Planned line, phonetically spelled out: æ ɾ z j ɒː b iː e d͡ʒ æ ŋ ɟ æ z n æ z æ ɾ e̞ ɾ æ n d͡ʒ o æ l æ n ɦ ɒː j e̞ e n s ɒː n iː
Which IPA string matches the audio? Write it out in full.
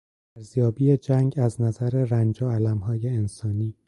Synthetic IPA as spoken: æ ɾ z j ɒː b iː e d͡ʒ æ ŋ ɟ æ z n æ z æ ɾ e̞ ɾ æ n d͡ʒ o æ l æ m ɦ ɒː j e̞ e n s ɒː n iː